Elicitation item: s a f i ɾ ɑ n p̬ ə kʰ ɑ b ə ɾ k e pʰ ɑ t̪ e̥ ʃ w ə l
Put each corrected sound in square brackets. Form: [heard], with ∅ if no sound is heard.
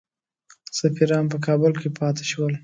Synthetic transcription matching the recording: s a f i ɾ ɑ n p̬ ə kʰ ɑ b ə [l] k e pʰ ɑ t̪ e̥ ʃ w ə l